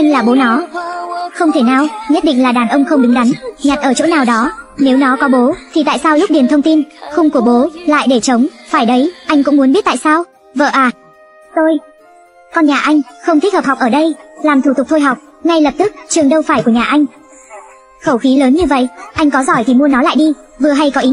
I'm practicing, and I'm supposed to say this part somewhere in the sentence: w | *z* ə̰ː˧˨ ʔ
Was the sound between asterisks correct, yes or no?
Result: no